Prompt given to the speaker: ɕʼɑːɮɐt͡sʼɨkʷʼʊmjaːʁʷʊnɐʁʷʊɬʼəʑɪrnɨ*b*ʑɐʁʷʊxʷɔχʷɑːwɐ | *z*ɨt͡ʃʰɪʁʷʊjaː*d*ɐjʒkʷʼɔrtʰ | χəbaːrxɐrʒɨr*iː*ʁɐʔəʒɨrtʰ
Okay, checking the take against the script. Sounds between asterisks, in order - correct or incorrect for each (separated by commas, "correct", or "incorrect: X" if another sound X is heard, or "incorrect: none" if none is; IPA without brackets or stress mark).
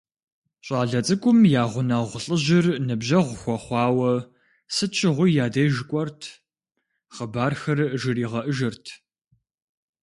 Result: correct, incorrect: s, correct, correct